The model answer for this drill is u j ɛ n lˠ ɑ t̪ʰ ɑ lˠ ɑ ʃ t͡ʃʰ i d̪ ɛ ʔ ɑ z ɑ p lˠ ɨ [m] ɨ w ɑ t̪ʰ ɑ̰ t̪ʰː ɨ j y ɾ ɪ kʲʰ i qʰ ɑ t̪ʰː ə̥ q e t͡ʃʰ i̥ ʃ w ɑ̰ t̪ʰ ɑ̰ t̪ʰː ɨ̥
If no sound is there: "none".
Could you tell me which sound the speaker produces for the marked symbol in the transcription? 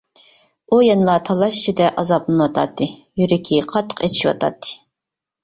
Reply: n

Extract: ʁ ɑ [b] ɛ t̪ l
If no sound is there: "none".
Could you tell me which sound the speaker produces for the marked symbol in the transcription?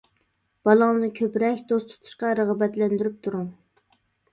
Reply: b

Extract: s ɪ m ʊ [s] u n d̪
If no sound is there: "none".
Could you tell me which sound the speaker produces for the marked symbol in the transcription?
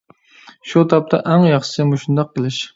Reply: ʃ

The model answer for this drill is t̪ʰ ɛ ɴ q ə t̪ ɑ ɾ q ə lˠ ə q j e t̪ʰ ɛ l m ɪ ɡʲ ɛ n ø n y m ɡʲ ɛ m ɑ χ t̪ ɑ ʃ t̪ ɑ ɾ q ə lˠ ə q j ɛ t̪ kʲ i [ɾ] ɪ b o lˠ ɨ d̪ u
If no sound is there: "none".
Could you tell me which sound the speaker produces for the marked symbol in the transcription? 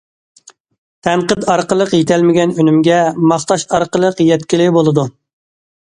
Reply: l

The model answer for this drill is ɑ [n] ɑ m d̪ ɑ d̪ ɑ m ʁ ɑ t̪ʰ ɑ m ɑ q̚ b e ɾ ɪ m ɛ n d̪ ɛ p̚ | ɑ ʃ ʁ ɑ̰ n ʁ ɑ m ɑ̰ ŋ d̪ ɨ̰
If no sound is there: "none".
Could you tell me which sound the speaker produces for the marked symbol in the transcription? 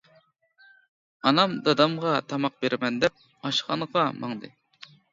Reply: n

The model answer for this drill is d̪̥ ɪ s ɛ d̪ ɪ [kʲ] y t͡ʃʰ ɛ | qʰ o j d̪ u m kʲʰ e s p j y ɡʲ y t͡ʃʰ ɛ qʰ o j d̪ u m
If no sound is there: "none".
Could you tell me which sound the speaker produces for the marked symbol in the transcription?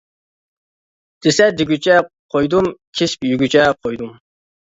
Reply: ɡʲ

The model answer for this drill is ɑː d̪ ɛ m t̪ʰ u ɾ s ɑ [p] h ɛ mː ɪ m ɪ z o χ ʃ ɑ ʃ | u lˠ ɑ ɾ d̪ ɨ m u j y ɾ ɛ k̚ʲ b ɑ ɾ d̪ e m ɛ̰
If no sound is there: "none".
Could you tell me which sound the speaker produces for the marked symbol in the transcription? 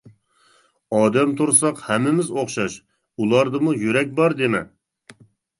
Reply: q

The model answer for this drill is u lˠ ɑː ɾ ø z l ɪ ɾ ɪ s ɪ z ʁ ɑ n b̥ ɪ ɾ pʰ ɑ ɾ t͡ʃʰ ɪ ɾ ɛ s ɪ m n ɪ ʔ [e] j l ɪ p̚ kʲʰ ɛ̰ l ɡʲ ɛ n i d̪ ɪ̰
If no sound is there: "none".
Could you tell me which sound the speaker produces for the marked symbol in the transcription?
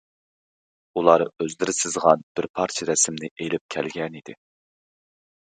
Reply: e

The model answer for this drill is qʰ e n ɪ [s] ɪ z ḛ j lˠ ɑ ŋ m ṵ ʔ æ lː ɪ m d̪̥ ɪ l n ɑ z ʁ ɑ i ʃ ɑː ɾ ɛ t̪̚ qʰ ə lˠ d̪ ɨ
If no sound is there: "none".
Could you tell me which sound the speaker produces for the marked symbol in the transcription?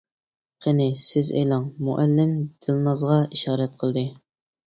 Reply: s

